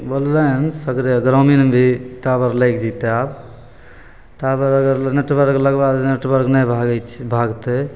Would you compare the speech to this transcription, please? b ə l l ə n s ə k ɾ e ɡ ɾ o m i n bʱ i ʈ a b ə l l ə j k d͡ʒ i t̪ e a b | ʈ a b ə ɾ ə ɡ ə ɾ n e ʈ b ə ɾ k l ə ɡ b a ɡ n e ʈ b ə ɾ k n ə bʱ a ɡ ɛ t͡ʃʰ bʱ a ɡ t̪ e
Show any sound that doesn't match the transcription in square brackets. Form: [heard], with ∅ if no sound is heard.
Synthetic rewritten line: b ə l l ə n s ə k ɾ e ɡ ɾ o m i n bʱ i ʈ a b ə [ɾ] l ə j k d͡ʒ i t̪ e a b | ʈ a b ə ɾ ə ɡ ə ɾ n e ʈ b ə ɾ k l ə ɡ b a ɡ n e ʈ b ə ɾ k n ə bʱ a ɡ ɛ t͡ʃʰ bʱ a ɡ t̪ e

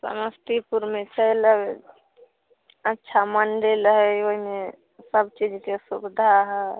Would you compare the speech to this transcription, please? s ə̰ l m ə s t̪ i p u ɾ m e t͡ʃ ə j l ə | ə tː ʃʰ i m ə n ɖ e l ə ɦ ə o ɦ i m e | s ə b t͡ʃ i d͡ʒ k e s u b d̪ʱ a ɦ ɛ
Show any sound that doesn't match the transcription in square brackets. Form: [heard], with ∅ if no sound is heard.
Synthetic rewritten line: s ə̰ [∅] m ə s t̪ i p u ɾ m e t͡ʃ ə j l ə | ə tː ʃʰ [a] m ə n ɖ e l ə ɦ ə o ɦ i m e | s ə b t͡ʃ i d͡ʒ k e s u b d̪ʱ a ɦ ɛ

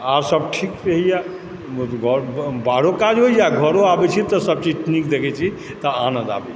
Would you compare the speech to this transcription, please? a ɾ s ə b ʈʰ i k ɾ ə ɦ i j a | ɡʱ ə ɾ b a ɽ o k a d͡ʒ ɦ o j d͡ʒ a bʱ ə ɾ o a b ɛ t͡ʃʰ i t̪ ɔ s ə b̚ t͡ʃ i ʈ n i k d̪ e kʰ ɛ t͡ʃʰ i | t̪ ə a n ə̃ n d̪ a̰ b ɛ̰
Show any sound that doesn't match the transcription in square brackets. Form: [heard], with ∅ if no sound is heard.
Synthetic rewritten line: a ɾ s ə b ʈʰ i k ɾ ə ɦ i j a | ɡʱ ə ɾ b a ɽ o k a d͡ʒ ɦ o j d͡ʒ a [ɡʱ] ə ɾ o a b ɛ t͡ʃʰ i t̪ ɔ s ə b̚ t͡ʃ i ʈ n i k d̪ e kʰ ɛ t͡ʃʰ i | t̪ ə a n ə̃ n d̪ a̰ b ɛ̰

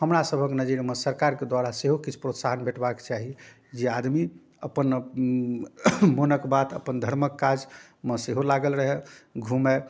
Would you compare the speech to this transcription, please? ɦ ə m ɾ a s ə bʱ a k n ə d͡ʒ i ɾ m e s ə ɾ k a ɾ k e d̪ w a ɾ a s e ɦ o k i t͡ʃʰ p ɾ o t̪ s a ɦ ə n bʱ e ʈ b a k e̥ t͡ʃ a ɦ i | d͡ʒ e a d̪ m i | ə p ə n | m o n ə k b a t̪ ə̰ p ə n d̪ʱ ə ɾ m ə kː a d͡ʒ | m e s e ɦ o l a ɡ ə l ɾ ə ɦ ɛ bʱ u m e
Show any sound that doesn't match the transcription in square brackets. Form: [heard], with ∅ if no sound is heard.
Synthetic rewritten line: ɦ ə m ɾ a s ə bʱ [ə] k n ə d͡ʒ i ɾ m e s ə ɾ k a ɾ k e d̪ w a ɾ a s e ɦ o k i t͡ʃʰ p ɾ o t̪ s a ɦ ə n bʱ e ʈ b a k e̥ t͡ʃ a ɦ i | d͡ʒ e a d̪ m i | ə p ə n | m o n ə k b a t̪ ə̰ p ə n d̪ʱ ə ɾ m ə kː a d͡ʒ | m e s e ɦ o l a ɡ ə l ɾ ə ɦ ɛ [ɡʱ] u m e

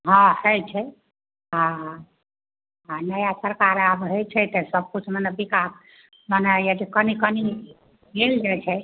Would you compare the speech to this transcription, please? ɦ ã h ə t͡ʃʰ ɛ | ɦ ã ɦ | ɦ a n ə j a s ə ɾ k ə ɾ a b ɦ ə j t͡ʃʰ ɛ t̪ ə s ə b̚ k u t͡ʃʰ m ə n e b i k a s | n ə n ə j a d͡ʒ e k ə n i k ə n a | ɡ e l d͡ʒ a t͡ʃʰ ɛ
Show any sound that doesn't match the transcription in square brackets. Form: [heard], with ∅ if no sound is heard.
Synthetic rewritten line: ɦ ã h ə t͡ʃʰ ɛ | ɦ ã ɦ | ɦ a n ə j a s ə ɾ k [a] ɾ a b ɦ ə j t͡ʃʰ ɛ t̪ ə s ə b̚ k u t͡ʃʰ m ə n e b i k a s | [m] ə n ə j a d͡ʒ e k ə n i k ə n [i] | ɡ e l d͡ʒ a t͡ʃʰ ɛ

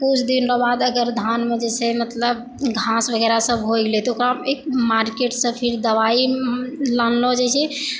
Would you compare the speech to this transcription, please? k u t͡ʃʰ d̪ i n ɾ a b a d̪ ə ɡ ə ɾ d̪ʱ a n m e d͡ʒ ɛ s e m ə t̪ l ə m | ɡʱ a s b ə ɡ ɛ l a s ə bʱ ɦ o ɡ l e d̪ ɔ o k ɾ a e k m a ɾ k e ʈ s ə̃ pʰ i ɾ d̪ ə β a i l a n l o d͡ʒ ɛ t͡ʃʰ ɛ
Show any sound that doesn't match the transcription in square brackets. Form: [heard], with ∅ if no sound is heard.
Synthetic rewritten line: k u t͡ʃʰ d̪ i n ɾ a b a d̪ ə ɡ ə ɾ d̪ʱ a n m e d͡ʒ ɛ s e m ə t̪ l ə [b] | ɡʱ a s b ə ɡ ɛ [ɾ] a s ə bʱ ɦ o ɡ l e [t̪] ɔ o k ɾ a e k m a ɾ k e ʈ s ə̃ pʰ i ɾ d̪ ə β a i l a n l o d͡ʒ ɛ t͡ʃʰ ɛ

